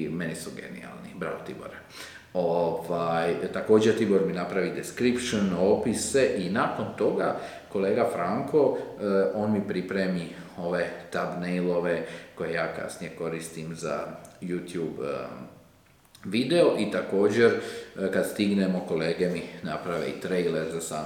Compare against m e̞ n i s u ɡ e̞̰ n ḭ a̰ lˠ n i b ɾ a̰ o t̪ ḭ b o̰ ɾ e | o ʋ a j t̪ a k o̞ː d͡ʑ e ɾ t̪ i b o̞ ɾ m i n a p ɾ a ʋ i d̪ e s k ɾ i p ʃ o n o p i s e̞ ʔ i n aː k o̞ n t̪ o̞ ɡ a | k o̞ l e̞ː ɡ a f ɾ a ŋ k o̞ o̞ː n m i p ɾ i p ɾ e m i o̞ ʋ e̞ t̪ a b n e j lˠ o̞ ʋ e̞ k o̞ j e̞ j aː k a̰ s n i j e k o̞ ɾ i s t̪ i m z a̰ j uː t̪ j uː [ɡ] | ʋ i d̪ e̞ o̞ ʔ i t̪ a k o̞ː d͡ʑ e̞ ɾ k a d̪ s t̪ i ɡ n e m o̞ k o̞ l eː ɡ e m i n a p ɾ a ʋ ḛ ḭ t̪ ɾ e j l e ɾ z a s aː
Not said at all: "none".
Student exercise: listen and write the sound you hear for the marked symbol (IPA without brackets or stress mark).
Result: b